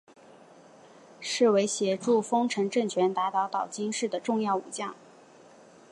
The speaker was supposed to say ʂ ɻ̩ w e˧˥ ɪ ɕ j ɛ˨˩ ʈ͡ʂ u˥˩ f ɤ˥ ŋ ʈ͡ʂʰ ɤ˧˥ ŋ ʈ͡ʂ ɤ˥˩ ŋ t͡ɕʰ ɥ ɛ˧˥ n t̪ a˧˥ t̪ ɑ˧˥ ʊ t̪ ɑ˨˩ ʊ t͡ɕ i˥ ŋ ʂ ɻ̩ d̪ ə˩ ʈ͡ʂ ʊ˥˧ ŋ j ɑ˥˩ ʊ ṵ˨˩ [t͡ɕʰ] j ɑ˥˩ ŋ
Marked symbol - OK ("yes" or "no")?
no